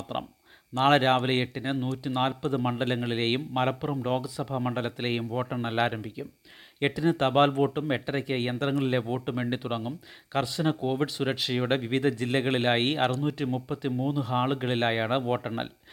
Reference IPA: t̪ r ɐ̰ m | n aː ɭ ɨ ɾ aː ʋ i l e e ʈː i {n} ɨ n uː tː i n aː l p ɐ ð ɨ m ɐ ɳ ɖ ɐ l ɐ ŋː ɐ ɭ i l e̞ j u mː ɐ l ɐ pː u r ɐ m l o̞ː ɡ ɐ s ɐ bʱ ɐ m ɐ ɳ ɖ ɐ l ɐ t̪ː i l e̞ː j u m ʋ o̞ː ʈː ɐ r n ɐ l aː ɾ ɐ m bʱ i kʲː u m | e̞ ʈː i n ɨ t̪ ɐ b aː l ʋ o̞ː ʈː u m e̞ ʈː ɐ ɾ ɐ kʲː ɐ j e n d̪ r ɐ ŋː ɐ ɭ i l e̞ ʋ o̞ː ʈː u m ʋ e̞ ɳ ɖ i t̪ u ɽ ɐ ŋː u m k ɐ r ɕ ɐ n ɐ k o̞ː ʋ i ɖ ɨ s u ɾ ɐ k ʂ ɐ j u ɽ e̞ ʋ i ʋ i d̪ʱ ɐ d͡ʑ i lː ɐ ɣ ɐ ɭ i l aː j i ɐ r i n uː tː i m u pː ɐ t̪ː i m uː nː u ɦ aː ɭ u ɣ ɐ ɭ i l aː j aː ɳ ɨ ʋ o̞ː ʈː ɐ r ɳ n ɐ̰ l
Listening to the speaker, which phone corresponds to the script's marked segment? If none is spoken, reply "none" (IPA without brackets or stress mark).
n